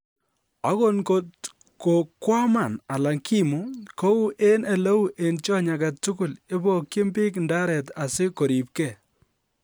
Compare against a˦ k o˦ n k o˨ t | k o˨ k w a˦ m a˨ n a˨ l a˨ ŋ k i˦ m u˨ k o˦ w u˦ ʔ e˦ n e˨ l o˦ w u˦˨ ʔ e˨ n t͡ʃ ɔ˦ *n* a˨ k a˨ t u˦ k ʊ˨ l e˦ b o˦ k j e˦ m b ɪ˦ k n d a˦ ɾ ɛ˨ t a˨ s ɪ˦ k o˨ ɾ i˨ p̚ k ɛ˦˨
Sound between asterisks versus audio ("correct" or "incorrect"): incorrect